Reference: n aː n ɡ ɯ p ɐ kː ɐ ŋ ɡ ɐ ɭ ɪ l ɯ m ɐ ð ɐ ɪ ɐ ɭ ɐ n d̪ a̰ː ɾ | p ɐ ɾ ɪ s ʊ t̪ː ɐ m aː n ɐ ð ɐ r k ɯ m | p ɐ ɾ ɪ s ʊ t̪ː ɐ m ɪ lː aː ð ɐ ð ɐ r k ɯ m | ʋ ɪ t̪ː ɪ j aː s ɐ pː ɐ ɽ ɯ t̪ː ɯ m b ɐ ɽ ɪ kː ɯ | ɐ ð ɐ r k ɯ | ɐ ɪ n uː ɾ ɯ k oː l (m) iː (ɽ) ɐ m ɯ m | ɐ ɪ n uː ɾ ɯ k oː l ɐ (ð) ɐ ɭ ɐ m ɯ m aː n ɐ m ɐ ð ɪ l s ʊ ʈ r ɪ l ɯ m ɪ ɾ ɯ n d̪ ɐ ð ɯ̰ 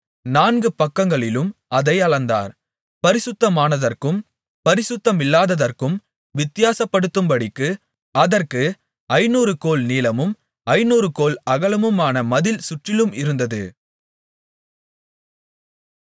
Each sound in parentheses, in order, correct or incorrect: incorrect: n, incorrect: l, incorrect: ɣ

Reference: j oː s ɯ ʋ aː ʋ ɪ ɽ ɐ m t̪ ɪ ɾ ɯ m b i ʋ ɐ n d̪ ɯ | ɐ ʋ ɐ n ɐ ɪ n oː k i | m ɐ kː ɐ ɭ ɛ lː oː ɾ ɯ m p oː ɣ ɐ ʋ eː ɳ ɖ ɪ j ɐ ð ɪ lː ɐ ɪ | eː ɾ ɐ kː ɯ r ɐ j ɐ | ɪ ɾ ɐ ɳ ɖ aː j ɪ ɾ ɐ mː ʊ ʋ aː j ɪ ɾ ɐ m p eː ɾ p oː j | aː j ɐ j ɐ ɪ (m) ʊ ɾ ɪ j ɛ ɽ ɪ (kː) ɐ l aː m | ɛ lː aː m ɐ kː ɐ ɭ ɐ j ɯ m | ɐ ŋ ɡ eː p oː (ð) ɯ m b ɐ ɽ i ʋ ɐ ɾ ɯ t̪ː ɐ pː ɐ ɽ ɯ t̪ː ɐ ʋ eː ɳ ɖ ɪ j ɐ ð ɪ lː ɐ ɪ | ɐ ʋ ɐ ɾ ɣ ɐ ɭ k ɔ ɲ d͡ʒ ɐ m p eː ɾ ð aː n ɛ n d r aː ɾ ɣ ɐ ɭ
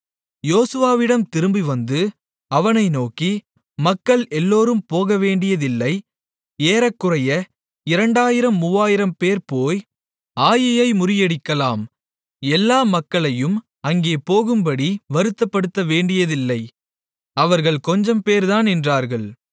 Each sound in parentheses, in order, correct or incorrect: correct, correct, incorrect: ɣ

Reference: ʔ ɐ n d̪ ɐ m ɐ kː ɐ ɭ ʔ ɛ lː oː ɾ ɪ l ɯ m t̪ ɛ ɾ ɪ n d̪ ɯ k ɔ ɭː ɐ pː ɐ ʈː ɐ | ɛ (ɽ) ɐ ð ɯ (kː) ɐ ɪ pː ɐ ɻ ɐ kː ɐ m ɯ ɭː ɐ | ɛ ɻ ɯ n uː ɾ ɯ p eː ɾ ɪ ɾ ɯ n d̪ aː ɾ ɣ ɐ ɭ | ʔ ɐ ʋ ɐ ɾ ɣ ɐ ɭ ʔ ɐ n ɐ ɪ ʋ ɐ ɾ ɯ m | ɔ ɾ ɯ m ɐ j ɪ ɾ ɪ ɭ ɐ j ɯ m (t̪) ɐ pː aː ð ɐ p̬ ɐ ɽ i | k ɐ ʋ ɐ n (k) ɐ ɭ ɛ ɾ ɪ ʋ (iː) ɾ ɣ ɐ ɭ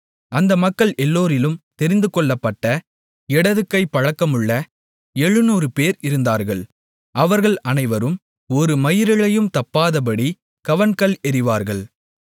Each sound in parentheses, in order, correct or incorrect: correct, correct, correct, correct, incorrect: aː

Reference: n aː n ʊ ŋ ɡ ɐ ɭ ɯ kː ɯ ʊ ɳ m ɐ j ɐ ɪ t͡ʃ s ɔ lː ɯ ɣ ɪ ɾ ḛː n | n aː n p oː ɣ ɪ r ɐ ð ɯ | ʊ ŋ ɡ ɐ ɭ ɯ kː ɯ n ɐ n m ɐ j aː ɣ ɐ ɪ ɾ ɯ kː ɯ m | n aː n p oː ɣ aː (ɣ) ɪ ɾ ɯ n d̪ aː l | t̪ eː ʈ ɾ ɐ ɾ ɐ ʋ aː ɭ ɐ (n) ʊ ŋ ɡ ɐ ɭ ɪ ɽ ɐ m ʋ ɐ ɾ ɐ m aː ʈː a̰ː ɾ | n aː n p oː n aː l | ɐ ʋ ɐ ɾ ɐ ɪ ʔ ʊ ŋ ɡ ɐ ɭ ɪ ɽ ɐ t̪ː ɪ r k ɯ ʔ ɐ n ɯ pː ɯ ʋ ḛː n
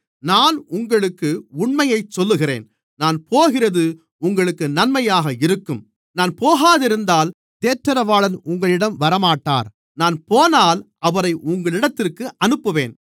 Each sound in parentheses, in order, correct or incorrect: incorrect: ð, correct

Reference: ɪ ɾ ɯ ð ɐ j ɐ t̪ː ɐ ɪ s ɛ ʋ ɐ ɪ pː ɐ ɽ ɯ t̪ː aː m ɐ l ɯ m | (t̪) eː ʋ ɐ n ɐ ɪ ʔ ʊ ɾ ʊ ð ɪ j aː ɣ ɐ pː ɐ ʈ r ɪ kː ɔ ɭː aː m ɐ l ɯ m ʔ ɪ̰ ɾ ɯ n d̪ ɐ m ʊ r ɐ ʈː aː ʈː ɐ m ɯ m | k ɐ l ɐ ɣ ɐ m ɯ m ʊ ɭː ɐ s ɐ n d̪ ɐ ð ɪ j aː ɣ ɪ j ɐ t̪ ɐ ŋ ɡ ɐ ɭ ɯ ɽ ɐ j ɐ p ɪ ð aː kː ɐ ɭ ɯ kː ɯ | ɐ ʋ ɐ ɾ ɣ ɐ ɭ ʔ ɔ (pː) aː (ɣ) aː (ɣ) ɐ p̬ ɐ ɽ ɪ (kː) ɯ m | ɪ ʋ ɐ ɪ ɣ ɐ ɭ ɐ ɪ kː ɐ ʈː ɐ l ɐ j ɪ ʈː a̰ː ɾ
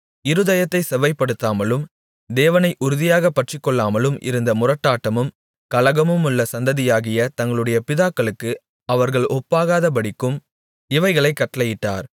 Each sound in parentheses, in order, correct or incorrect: incorrect: d̪, correct, correct, incorrect: ð, correct

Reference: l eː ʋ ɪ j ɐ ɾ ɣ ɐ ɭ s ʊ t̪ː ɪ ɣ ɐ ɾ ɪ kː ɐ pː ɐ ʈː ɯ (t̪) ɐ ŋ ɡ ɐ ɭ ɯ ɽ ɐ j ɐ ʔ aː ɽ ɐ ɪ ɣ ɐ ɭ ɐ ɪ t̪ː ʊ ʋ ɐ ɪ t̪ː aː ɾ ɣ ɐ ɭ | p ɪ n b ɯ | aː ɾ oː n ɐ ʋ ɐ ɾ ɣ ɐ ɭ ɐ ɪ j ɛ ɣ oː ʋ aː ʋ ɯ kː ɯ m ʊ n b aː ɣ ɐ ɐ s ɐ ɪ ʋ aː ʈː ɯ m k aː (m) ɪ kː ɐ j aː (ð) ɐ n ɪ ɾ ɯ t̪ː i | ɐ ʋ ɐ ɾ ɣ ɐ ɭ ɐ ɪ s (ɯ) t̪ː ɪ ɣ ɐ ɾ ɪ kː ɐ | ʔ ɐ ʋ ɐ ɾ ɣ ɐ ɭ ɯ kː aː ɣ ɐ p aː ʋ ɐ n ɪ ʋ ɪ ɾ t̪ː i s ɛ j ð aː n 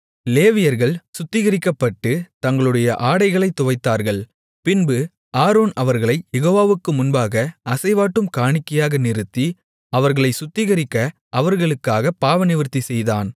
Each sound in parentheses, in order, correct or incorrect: correct, incorrect: ɳ, incorrect: ɣ, incorrect: ʊ

